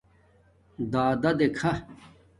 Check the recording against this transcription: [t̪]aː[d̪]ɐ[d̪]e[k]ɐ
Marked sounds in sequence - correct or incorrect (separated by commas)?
incorrect, correct, correct, incorrect